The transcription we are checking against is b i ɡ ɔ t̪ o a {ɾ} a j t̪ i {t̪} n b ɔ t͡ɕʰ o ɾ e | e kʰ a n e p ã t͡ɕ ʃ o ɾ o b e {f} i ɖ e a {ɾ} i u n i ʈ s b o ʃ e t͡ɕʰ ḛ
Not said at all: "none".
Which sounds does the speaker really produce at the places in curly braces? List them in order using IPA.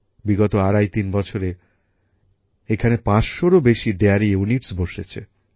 ɾ, none, ʃ, ɾ

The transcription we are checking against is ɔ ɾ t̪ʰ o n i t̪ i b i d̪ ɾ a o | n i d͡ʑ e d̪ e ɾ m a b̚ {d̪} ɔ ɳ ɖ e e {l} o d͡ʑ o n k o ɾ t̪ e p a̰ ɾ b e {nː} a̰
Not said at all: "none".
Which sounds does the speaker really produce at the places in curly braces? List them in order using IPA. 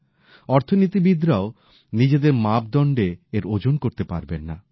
d̪, ɾ, nː

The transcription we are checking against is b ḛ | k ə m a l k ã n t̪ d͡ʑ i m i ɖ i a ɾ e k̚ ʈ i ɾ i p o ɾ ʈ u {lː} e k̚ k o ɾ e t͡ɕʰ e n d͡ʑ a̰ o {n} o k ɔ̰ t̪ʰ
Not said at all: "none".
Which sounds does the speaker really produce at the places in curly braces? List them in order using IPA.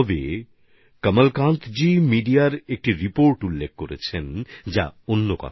lː, nː

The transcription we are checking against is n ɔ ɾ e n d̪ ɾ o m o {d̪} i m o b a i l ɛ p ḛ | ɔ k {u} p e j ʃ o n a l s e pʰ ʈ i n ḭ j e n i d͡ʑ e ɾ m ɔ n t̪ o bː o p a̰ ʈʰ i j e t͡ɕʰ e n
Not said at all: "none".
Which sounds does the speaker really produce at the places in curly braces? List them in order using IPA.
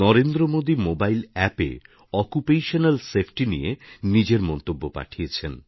d̪, u

